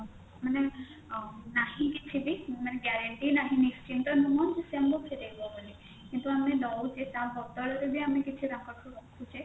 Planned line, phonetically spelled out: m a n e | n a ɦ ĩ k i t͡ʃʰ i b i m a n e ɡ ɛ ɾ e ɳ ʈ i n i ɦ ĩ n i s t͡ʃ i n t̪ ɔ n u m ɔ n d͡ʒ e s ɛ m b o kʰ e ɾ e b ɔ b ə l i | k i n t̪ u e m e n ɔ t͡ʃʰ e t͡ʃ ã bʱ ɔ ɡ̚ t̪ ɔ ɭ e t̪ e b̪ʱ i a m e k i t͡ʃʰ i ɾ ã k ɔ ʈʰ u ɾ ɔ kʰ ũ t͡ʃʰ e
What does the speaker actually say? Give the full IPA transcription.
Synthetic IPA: m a n e | n a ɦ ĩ k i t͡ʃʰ i b i m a n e ɡ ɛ ɾ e ɳ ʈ i n a ɦ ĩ n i s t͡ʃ i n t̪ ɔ n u m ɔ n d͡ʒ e s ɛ m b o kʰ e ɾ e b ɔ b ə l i | k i n t̪ u a m e n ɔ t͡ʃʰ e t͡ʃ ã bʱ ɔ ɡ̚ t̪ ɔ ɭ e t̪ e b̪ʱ i a m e k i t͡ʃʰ i ɾ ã k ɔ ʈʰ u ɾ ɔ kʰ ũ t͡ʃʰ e